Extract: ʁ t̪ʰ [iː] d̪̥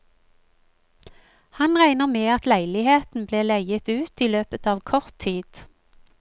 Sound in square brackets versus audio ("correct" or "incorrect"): correct